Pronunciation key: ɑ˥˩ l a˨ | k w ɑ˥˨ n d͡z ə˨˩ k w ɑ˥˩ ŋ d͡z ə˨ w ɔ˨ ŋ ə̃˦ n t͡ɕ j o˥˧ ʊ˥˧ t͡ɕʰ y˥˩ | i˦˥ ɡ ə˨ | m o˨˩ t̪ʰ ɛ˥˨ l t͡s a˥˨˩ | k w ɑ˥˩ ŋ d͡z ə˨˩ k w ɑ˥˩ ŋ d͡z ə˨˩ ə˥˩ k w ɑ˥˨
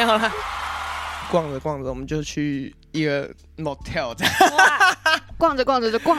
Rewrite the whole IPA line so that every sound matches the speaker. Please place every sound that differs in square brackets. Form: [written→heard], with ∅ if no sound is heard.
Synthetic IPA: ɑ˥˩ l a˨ | k w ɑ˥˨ [n→ŋ] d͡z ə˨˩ k w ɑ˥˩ ŋ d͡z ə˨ w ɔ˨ [ŋ→m] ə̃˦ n t͡ɕ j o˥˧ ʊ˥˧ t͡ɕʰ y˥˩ | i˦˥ ɡ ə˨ | m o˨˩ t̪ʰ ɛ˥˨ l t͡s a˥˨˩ | k w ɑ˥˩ ŋ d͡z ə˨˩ k w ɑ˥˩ ŋ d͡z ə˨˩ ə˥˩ k w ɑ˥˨